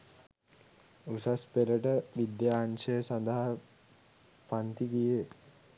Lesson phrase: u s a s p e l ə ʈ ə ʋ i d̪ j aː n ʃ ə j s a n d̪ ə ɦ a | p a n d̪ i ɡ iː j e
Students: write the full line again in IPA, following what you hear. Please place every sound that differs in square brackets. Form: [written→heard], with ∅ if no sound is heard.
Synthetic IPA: u s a s p e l ə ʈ ə ʋ i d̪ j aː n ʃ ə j s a n d̪ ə ɦ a | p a n [d̪→t̪] i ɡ [iː→i] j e